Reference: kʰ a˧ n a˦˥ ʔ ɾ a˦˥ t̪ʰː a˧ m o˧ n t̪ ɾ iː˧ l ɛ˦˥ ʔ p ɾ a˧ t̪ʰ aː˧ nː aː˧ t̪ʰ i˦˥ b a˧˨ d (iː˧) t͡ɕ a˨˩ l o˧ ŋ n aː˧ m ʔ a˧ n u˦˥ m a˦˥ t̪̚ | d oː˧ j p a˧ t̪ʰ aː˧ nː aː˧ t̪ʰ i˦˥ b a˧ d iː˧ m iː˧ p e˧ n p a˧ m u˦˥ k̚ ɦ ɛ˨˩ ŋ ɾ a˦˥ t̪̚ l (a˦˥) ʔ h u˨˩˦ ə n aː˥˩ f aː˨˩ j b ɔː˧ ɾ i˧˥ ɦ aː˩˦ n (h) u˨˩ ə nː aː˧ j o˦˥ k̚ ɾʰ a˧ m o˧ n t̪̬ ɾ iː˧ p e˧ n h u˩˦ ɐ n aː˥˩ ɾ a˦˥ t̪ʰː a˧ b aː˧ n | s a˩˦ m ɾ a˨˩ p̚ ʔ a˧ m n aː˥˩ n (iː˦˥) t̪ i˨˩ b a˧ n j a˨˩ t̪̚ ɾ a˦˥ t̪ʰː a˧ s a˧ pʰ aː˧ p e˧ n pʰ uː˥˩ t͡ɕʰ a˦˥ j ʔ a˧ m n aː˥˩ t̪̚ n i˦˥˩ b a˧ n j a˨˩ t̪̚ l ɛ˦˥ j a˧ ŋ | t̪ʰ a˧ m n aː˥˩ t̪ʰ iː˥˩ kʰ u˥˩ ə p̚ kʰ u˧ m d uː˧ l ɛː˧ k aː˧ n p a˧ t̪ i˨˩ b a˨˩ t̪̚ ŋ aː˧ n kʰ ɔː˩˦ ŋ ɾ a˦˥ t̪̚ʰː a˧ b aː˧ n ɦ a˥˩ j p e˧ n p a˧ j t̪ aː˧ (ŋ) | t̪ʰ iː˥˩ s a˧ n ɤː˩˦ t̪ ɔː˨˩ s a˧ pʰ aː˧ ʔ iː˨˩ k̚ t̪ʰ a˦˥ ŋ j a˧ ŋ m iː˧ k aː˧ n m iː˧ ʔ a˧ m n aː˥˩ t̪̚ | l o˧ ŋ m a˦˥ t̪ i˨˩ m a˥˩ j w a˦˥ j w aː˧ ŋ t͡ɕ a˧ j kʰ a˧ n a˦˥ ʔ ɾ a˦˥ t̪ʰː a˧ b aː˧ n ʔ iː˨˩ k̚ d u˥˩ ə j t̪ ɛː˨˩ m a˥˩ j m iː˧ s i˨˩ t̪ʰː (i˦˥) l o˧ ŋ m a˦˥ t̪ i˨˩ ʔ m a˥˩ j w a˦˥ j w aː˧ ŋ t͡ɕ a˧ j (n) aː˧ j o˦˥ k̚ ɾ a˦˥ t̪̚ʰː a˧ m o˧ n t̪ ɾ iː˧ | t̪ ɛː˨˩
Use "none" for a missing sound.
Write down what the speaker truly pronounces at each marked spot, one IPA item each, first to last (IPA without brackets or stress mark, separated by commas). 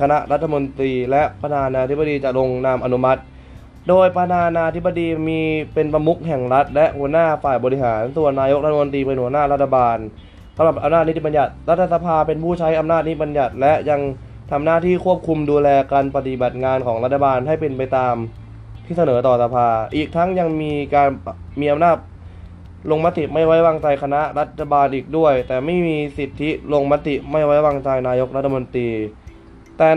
iː˧, ɛ˦˥, s, i˦˥, m, i˦˥, n